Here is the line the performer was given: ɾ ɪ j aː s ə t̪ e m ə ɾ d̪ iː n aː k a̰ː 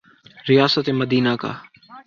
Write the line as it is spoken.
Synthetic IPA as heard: ɾ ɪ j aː s ə t̪ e m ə d̪ iː n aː k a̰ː